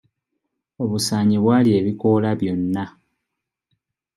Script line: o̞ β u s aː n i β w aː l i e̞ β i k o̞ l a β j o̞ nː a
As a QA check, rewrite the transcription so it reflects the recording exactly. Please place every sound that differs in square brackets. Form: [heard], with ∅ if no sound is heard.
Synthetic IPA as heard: o̞ β u s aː [ɲ] i β w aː l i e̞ β i k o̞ l a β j o̞ nː a